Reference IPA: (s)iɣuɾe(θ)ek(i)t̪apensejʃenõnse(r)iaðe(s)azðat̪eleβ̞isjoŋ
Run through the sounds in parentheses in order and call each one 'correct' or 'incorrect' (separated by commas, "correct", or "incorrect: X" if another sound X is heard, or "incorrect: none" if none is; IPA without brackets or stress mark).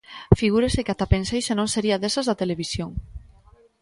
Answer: incorrect: f, incorrect: s, incorrect: a, incorrect: ɾ, correct